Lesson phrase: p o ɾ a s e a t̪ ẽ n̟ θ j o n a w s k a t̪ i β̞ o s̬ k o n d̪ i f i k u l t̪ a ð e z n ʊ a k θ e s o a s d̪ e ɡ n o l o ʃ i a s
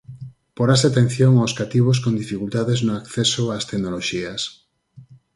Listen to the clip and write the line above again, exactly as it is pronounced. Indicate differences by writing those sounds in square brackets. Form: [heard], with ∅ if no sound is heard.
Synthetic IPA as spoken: p o ɾ a s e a t̪ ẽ n̟ θ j o [ŋ] a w s k a t̪ i β̞ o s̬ k o n d̪ i f i k u l t̪ a ð e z n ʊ a k θ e s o a s [t̪] e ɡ n o l o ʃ i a s